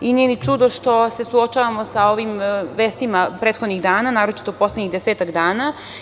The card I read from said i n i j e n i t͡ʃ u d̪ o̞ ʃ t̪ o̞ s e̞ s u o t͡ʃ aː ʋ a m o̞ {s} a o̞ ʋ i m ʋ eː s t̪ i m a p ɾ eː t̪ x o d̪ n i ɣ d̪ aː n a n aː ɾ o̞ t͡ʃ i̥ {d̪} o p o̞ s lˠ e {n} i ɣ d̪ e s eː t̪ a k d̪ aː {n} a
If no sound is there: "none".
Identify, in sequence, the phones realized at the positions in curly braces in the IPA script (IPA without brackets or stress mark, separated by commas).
s, t̪, ɲ, n